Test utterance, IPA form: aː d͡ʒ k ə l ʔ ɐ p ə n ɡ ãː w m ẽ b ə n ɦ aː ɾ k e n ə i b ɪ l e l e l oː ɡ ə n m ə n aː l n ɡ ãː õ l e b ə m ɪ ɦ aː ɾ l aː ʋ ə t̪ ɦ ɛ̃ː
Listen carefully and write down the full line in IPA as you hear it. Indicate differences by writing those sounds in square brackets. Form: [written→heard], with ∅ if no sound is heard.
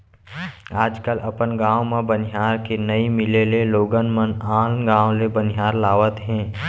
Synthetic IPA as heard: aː d͡ʒ k ə l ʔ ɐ p ə n ɡ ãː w m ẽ b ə n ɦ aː ɾ k e n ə i [b→m] ɪ l e l e l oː ɡ ə n m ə n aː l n ɡ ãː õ l e b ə [m→n] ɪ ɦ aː ɾ l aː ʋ ə t̪ ɦ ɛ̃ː